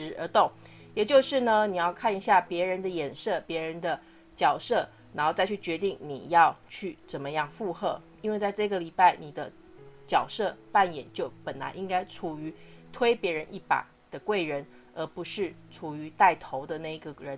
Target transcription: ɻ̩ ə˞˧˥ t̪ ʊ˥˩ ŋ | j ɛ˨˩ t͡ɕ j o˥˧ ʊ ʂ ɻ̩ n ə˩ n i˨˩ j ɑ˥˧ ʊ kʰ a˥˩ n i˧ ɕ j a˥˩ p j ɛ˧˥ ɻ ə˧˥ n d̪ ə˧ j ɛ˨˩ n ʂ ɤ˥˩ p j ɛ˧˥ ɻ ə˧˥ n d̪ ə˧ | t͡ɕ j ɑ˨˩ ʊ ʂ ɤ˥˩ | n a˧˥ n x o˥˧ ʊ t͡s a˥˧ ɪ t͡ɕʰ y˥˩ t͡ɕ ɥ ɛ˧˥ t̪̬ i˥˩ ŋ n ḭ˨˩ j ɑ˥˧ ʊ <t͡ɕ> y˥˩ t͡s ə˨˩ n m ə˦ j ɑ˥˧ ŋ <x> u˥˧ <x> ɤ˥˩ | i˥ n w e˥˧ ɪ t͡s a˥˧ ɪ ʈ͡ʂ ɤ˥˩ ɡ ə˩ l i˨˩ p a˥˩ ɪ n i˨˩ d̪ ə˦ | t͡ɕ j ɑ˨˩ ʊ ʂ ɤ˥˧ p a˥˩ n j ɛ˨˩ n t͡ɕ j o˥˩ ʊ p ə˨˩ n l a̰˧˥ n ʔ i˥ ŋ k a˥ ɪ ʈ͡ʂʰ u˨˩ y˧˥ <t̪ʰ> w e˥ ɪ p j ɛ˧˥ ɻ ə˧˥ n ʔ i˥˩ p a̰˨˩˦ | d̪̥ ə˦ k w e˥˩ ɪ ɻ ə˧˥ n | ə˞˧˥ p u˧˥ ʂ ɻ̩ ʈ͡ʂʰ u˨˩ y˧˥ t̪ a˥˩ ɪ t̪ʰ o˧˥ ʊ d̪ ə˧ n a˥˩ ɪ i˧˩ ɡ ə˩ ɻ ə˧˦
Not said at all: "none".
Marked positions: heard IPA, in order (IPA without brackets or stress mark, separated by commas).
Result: t͡ɕʰ, f, x, t̪ʰ